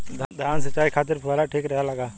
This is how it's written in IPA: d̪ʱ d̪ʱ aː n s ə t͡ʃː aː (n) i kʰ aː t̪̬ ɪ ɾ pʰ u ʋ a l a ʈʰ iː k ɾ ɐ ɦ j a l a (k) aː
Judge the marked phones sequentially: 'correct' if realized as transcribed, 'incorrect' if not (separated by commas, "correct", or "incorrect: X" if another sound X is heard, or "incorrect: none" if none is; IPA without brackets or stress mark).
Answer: incorrect: none, incorrect: ɡ